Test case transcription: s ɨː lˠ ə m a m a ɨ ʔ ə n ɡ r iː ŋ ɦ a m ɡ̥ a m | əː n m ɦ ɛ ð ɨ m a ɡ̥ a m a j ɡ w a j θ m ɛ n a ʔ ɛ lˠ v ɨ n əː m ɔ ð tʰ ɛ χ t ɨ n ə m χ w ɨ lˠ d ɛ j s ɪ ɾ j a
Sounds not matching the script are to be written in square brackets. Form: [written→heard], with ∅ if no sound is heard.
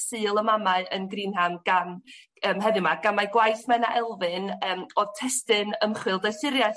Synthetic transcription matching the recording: s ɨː lˠ ə m a m a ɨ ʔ ə n ɡ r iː [ŋ→n] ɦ a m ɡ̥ a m | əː [n→∅] m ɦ ɛ ð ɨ m a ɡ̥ a m a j ɡ w a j θ m ɛ n a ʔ ɛ lˠ v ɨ n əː m ɔ ð tʰ ɛ [χ→s] t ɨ n ə m χ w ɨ lˠ d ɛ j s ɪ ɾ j a